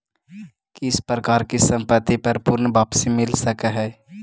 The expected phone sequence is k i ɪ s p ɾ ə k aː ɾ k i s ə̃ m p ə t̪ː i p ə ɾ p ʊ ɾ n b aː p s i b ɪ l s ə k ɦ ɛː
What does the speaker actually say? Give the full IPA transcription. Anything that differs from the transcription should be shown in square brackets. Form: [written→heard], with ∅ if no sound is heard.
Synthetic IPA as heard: k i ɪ s p ɾ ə k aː ɾ k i s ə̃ m p ə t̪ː i p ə ɾ p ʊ ɾ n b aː p s i [b→m] ɪ l s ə k ɦ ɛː

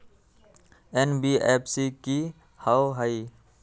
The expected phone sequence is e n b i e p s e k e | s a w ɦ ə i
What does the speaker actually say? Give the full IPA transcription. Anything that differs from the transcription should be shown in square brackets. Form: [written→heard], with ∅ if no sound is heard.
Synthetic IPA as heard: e n b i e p s [e→i] k [e→i] | [s→h] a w ɦ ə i

